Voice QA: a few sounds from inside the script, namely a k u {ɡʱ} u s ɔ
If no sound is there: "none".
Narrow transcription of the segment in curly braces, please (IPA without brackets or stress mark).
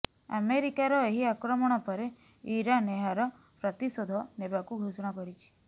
ɡʱ